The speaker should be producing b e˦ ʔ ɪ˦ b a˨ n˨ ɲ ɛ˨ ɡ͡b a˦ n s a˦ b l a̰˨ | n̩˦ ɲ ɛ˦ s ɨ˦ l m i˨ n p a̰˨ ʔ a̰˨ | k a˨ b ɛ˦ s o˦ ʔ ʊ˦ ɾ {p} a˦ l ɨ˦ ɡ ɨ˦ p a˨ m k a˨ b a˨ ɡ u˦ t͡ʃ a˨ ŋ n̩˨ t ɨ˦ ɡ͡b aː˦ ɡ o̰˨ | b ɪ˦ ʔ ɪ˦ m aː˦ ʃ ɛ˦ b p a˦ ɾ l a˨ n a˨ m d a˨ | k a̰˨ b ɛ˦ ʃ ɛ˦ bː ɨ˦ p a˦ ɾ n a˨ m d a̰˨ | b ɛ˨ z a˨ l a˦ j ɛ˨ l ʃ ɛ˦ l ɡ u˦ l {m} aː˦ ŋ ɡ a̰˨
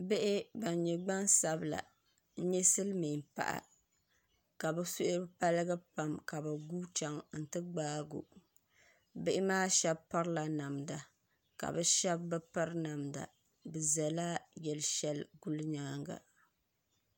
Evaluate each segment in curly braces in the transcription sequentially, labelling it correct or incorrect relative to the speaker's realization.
correct, incorrect: ɲ

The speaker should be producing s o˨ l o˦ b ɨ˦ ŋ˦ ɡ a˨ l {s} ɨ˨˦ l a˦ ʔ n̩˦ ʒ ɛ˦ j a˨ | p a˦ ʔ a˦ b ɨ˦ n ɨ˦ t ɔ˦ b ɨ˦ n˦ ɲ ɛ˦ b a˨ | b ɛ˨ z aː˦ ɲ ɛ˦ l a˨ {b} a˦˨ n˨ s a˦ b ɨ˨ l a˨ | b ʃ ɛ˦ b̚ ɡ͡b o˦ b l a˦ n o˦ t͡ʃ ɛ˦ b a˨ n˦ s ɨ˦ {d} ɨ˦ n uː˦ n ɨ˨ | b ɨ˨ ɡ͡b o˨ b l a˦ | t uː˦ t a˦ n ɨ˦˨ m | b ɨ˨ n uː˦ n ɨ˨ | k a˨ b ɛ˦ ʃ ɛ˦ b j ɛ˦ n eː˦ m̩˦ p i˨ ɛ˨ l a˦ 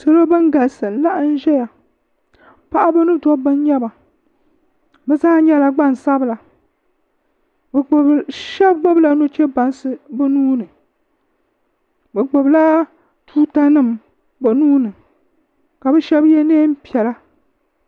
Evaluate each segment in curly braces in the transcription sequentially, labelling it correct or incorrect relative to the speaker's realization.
correct, incorrect: ɡ͡b, incorrect: b

